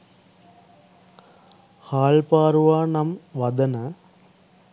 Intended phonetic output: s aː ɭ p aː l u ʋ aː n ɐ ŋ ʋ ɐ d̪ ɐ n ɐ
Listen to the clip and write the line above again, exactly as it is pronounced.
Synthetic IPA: h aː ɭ p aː ɾ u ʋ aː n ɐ m ʋ ɐ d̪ ɐ n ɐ